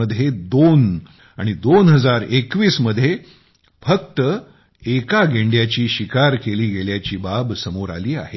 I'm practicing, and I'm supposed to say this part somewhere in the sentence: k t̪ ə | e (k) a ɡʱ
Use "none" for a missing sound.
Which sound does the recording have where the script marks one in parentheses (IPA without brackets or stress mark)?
k